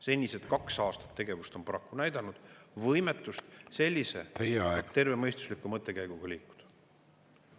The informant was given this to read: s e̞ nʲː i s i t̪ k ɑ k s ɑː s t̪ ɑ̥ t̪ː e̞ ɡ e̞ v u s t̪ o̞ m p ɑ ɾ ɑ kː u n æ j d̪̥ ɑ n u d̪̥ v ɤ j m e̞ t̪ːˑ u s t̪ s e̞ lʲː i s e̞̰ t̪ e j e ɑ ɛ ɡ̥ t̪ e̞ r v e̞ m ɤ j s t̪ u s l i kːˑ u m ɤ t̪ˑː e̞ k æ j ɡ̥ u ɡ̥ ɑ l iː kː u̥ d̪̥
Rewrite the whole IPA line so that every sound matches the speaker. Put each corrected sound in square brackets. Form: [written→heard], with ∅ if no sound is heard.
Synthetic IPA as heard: s e̞ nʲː i s [i→e] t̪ k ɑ k s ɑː s t̪ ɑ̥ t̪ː e̞ ɡ e̞ v u s t̪ o̞ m p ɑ ɾ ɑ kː u n æ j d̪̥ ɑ n u d̪̥ v ɤ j m e̞ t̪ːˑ u s t̪ s e̞ lʲː i s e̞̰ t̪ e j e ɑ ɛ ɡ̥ t̪ e̞ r v e̞ m ɤ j s t̪ u s l i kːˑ u m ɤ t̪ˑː e̞ k æ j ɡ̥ u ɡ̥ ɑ l iː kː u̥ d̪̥